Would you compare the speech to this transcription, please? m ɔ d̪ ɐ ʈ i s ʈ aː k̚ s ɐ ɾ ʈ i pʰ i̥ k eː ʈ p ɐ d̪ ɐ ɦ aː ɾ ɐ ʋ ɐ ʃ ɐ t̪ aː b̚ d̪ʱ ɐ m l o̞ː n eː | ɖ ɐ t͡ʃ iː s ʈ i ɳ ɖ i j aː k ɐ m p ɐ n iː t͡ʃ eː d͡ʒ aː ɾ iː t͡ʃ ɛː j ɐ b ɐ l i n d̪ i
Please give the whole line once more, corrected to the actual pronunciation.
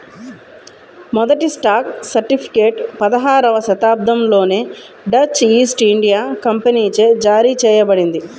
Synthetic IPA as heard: m ɔ d̪ ɐ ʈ i s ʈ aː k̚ s ɐ ɾ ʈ i pʰ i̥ k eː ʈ p ɐ d̪ ɐ ɦ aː ɾ ɐ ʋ ɐ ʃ ɐ t̪ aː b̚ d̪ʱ ɐ m l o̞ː n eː | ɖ ɐ t͡ʃ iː s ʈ i ɳ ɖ i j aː k ɐ m p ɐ n iː t͡ʃ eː d͡ʒ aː ɾ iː t͡ʃ ɛː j ɐ b ɐ ɽ i n d̪ i